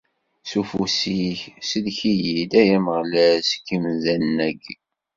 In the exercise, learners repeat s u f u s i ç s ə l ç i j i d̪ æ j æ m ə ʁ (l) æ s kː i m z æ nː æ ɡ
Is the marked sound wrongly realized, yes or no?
no